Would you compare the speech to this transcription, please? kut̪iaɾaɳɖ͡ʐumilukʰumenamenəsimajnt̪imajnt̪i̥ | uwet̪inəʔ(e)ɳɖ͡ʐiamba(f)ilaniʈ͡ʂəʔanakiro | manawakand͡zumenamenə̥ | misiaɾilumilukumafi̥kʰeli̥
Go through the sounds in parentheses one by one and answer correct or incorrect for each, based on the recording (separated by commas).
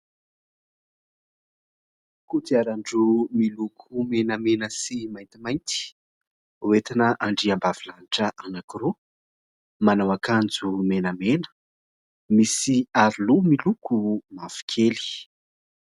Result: incorrect, incorrect